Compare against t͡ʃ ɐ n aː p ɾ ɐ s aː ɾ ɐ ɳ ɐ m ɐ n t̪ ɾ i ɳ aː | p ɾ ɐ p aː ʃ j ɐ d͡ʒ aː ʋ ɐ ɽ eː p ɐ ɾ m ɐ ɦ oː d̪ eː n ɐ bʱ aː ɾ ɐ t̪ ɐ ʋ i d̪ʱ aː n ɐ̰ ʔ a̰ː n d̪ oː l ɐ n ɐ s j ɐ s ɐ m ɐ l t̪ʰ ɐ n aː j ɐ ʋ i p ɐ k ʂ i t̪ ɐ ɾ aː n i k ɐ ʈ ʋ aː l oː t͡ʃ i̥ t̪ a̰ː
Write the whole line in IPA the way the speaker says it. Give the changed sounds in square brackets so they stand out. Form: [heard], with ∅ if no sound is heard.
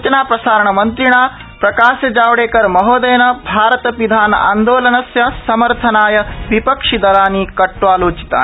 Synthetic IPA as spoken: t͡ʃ ɐ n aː p ɾ ɐ s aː ɾ ɐ ɳ ɐ m ɐ n t̪ ɾ i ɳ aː | p ɾ ɐ [k] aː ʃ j ɐ d͡ʒ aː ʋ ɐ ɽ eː [k] ɐ ɾ m ɐ ɦ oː d̪ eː n ɐ bʱ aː ɾ ɐ t̪ ɐ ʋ i d̪ʱ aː n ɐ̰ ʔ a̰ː n d̪ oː l ɐ n ɐ s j ɐ s ɐ m ɐ [ɾ] t̪ʰ ɐ n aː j ɐ ʋ i p ɐ k ʂ i [d̪] ɐ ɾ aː n i k ɐ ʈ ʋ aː l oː t͡ʃ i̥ t̪ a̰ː